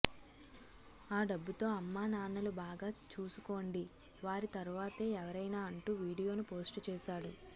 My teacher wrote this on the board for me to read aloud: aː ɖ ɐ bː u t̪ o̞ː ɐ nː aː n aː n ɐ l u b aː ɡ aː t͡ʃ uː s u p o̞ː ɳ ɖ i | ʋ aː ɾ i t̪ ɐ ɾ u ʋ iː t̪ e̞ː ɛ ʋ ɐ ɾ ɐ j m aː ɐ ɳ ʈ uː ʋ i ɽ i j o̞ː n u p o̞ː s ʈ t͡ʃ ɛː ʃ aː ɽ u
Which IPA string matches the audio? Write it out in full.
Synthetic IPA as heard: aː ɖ ɐ bː u t̪ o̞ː ɐ mː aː n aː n ɐ l u b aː ɡ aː t͡ʃ uː s u k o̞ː ɳ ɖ i | ʋ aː ɾ i t̪ ɐ ɾ u ʋ aː t̪ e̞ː ɛ ʋ ɐ ɾ ɐ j n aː ɐ ɳ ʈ uː ʋ iː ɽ i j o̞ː n u p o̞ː s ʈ t͡ʃ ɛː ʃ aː ɽ u